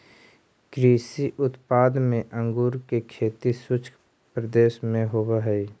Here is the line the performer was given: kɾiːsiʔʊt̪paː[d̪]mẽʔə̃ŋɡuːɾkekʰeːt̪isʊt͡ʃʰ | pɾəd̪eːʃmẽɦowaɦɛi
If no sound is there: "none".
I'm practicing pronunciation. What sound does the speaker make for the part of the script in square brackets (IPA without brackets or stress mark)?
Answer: d̪